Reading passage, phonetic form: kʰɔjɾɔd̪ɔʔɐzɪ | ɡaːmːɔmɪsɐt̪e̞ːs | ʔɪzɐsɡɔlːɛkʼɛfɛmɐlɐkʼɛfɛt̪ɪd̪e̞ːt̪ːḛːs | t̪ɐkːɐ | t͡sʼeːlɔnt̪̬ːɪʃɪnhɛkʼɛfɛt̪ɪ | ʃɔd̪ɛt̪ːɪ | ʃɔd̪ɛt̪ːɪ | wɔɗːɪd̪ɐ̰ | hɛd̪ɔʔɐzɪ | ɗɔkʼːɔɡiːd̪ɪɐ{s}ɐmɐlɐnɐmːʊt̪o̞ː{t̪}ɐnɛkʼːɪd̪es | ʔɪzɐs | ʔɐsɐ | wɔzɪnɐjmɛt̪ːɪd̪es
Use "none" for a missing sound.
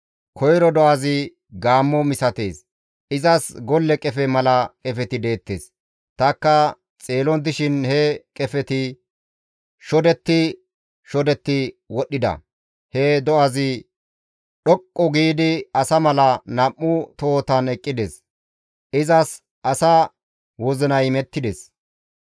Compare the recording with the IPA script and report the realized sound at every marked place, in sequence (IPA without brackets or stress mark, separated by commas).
s, t̪